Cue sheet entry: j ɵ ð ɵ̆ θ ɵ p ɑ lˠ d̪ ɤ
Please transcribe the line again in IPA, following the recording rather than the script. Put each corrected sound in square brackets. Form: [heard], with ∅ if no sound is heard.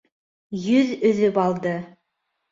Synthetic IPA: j ɵ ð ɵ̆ [ð] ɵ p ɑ lˠ d̪ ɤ